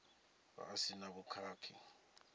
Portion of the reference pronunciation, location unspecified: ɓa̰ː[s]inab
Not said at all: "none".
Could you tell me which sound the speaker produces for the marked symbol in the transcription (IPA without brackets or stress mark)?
s